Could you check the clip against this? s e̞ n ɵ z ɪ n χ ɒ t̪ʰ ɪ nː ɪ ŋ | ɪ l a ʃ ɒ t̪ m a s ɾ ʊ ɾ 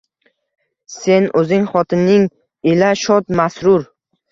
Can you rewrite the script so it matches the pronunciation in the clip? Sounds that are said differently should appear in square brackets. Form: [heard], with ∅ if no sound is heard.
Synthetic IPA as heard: s e̞ n ɵ z ɪ [ŋ] χ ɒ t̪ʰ ɪ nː ɪ ŋ | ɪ l a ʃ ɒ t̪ m a s ɾ ʊ ɾ